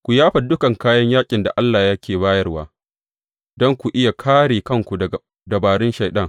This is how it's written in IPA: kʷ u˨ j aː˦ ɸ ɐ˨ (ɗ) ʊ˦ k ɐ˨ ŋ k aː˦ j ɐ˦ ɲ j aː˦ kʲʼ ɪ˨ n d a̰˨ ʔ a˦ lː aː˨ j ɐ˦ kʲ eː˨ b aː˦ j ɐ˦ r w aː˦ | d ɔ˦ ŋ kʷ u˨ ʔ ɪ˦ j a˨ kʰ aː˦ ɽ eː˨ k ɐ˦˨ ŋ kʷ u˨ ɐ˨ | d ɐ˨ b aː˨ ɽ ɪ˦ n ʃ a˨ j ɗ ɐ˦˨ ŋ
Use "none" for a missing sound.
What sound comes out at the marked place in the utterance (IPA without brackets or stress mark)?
d